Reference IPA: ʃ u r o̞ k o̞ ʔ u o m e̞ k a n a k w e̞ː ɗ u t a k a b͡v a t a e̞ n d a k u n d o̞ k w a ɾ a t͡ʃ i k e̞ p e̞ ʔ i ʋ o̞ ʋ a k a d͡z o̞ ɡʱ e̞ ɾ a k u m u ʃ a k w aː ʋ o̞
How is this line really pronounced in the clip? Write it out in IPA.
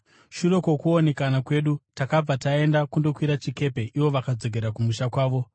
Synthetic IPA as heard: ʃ u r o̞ k o̞ k u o n e̞ k a n a k w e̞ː ɗ u t a k a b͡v a t a e̞ n d a k u n d o̞ k w i ɾ a t͡ʃ i k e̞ p e̞ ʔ i ʋ o̞ ʋ a k a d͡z o̞ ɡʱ e̞ ɾ a k u m u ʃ a k w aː ʋ o̞